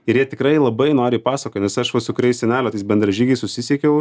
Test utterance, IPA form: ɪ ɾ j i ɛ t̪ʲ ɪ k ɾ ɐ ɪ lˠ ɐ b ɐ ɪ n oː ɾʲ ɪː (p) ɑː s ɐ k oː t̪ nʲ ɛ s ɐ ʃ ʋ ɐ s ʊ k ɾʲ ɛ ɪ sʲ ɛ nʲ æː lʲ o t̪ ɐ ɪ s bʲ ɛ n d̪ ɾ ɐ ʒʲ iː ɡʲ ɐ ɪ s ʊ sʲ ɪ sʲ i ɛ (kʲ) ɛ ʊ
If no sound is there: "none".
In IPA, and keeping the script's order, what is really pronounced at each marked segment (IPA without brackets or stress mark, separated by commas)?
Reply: p, kʲ